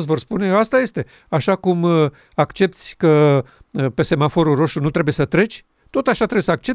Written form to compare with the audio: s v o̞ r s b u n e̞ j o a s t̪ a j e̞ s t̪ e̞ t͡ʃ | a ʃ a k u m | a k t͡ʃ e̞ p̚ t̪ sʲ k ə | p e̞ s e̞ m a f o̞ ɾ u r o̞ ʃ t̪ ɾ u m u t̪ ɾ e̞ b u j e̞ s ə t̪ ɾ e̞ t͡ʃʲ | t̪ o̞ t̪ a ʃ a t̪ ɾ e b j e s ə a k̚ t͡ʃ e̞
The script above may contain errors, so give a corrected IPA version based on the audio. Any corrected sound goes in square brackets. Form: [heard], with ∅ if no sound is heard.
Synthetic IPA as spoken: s v o̞ r s [p] u n e̞ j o a s t̪ a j e̞ s t̪ e̞ [∅] | a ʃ a k u m | a k t͡ʃ e̞ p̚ t̪ sʲ k ə | p e̞ s e̞ m a f o̞ ɾ u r o̞ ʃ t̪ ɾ u [n] u t̪ ɾ e̞ b u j e̞ s ə t̪ ɾ e̞ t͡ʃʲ | t̪ o̞ t̪ a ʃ a t̪ ɾ e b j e s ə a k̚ t͡ʃ e̞